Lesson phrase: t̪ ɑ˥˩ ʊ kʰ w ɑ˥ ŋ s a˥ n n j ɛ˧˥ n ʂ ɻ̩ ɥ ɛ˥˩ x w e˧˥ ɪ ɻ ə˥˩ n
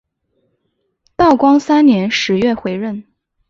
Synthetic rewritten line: t̪ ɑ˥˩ ʊ k w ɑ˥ ŋ s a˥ n n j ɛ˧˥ n ʂ ɻ̩ ɥ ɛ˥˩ x w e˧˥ ɪ ɻ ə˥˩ n